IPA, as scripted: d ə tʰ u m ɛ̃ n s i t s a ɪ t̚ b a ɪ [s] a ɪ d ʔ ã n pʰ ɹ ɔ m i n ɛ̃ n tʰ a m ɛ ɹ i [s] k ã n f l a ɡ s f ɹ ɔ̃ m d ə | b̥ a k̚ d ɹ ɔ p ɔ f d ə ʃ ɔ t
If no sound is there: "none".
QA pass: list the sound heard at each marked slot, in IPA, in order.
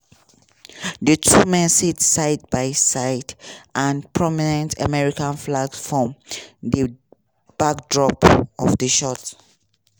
s, none

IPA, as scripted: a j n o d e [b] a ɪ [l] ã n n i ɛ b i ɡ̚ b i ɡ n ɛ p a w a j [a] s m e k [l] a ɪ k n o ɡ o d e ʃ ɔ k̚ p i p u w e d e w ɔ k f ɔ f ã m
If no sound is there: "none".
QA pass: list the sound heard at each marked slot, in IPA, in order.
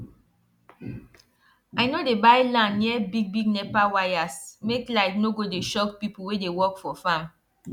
b, l, a, l

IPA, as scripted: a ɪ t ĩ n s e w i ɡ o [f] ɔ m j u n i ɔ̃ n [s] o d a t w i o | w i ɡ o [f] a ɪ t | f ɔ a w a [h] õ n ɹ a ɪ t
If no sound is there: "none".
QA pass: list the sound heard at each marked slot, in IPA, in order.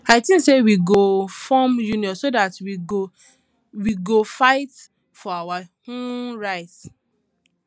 f, s, f, h

